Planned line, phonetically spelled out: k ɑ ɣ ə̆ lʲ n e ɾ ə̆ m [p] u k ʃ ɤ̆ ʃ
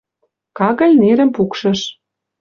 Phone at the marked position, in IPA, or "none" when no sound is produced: p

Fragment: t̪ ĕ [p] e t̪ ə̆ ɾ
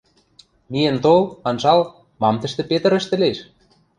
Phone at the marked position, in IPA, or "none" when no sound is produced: p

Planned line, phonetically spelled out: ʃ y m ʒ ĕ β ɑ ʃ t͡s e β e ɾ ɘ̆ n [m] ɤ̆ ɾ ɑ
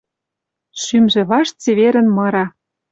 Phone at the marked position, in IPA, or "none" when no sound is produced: m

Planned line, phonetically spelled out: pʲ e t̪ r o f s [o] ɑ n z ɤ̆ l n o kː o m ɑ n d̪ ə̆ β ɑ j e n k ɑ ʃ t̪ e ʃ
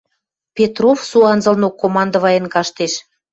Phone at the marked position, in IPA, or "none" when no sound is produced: u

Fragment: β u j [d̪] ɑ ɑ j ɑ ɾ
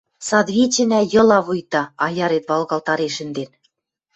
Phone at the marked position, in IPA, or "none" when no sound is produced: t̪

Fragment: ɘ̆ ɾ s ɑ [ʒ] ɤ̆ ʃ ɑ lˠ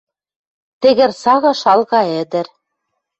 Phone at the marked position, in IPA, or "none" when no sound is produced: ɣ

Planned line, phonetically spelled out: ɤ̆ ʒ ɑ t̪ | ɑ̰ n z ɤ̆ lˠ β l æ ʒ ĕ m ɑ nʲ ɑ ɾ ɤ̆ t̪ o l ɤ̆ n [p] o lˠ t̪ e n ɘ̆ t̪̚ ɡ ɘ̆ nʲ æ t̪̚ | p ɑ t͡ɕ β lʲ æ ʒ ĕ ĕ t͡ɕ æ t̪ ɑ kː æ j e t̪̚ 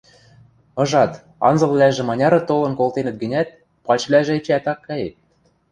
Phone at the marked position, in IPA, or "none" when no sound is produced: k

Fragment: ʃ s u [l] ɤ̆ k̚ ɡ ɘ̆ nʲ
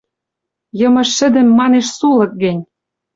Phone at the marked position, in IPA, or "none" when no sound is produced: l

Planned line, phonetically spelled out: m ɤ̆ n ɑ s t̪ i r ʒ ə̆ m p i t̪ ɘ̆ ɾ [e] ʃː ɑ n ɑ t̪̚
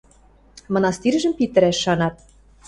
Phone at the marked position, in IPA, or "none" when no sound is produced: æ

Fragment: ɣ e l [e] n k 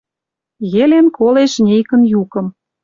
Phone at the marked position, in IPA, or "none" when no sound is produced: e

